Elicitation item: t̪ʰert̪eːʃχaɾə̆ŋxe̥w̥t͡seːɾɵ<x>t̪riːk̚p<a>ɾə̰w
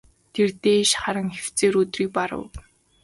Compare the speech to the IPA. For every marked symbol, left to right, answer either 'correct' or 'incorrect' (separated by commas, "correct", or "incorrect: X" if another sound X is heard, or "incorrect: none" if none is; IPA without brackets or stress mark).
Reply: incorrect: none, correct